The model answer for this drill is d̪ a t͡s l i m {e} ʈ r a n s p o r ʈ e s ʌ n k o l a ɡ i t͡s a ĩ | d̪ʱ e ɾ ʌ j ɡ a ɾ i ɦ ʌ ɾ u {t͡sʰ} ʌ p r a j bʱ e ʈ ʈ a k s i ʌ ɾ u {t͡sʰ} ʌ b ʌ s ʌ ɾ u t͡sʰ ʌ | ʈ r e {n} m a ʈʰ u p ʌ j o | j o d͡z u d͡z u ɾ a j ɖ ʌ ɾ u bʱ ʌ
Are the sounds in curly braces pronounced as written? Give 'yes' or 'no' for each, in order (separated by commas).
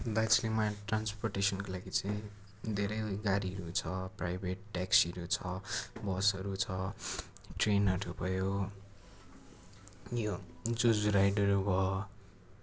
no, yes, yes, yes